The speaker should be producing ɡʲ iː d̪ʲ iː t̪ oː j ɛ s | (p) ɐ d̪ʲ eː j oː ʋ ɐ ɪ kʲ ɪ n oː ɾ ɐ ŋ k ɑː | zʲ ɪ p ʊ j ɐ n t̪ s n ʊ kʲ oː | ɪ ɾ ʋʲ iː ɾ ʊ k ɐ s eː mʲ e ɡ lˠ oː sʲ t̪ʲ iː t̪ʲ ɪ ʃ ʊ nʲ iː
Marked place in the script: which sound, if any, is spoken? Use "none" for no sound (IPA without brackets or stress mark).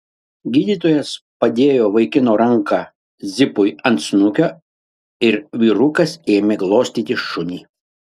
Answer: p